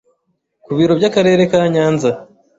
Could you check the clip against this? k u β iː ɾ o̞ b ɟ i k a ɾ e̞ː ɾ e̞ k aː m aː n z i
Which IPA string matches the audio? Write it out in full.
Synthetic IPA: k u β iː ɾ o̞ b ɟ a k a ɾ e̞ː ɾ e̞ k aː ɲ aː n z a

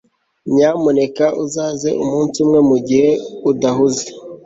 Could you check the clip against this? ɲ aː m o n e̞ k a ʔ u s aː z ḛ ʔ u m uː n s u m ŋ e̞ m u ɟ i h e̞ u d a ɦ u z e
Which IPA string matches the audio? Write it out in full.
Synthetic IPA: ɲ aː m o n e̞ k a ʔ u z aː z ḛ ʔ u m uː n s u m ŋ e̞ m u ɟ i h e̞ u d a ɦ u z e

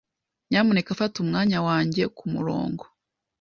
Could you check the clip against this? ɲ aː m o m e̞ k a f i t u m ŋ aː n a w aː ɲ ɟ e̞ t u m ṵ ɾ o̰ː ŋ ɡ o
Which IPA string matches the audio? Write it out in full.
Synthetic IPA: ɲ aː m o n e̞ k a f a t u m ŋ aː ɲ a w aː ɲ ɟ e̞ k u m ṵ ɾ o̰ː ŋ ɡ o

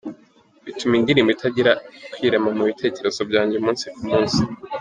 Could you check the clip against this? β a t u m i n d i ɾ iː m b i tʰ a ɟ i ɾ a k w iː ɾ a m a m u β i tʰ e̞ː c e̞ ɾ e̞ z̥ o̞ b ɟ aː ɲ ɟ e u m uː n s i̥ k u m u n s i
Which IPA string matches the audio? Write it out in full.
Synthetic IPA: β i t u m i n d i ɾ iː m b i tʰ a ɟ i ɾ a k w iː ɾ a m a m u β i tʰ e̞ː c e̞ ɾ e̞ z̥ o̞ b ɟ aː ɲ ɟ e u m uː n s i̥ k u m uː n s i

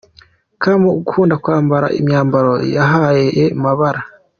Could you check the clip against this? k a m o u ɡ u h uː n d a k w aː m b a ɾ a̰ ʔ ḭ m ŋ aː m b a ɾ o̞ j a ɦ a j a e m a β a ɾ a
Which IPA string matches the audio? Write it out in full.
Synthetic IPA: k a m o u ɡ u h uː n d a k w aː m b a ɾ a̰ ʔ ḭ m ɲ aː m b a ɾ o̞ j a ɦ a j e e m a β a ɾ a

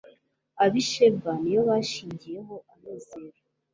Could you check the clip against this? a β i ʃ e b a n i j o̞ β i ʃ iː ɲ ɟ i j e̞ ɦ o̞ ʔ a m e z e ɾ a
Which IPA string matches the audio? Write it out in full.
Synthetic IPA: a β i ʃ e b a n i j o̞ β a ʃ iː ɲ ɟ i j e̞ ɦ o̞ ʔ a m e z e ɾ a

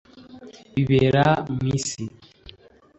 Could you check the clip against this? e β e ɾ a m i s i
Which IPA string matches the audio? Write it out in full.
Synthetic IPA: i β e ɾ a m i s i

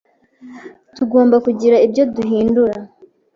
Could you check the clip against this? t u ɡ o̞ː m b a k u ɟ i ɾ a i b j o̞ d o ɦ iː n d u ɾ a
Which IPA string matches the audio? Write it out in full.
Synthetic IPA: t u ɡ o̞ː m b a k u ɟ i ɾ a i b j o̞ d u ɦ iː n d u ɾ a

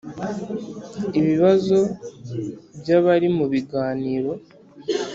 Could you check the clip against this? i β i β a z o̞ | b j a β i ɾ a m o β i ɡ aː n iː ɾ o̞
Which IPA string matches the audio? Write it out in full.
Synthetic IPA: i β i β a z o̞ | b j a β a ɾ i m u β i ɡ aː n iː ɾ o̞

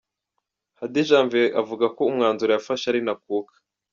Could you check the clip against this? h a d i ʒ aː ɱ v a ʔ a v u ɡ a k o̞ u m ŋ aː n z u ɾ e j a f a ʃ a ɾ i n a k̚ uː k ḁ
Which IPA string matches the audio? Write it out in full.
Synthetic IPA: h a d i ʒ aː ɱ v e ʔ a v u ɡ a k o̞ u m ŋ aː n z u ɾ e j a f a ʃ a ɾ i n a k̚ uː k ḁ

